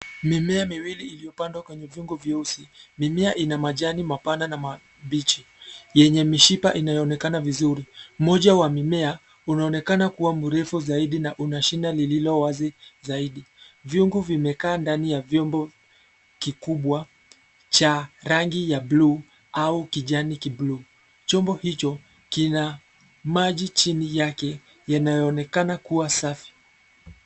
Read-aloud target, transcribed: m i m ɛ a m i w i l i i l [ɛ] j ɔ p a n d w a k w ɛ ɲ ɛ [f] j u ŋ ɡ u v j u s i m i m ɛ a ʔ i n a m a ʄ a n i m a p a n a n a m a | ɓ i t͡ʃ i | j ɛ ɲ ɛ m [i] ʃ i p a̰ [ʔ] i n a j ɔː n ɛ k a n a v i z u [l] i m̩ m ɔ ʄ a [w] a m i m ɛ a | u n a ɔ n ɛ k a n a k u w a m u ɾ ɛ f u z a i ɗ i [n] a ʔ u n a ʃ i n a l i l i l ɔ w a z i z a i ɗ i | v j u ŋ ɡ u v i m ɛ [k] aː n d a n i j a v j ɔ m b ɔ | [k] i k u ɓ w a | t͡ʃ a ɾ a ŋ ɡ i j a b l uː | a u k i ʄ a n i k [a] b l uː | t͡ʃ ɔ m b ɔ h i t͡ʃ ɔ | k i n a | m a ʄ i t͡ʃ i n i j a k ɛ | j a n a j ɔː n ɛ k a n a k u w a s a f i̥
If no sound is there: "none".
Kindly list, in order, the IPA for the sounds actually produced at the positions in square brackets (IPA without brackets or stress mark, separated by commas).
i, v, i, ʔ, ɾ, w, n, k, k, i